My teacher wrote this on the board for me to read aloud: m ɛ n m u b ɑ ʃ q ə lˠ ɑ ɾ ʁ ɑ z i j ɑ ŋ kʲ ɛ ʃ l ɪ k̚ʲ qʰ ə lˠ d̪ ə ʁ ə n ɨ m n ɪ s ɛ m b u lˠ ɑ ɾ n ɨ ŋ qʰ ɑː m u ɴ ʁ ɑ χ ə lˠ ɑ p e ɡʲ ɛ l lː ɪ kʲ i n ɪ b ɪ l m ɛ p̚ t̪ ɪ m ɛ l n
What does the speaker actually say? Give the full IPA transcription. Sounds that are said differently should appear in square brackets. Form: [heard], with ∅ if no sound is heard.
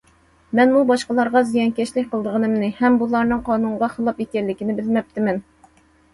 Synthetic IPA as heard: m ɛ n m u b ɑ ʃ q ə lˠ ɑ ɾ ʁ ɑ z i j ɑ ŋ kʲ ɛ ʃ l ɪ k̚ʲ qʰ ə lˠ d̪ ə ʁ ə n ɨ m n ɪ [h] ɛ m b u lˠ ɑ ɾ n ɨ ŋ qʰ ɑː [n] u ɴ ʁ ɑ χ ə lˠ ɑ p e [kʲ] ɛ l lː ɪ kʲ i n ɪ b ɪ l m ɛ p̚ t̪ ɪ m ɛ [∅] n